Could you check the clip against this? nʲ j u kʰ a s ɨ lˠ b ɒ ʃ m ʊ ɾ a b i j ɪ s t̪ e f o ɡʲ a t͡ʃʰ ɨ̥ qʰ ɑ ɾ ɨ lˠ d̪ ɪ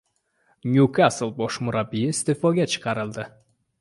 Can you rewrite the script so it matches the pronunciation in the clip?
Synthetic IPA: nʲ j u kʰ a s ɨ lˠ b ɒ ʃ m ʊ ɾ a b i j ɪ s t̪ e f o ɡʲ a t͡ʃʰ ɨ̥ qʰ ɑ ɾ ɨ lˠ d̪ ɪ

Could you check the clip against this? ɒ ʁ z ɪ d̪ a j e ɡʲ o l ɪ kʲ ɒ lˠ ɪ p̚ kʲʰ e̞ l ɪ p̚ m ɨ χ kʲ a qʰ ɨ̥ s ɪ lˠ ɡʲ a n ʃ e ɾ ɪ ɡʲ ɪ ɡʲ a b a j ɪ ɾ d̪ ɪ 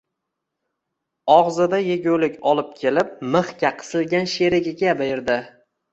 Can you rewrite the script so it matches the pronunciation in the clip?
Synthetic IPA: ɒ ʁ z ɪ d̪ a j e ɡʲ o l ɪ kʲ ɒ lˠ ɪ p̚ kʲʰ e̞ l ɪ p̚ m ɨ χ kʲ a qʰ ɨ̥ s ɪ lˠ ɡʲ a n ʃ e ɾ ɪ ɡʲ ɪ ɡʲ a b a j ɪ ɾ d̪ ɪ

